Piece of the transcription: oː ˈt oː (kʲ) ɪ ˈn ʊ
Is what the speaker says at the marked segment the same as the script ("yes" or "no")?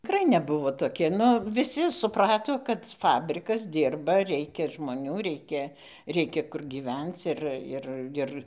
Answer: yes